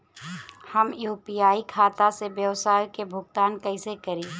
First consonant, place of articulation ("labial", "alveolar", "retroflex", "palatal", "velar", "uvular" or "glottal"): glottal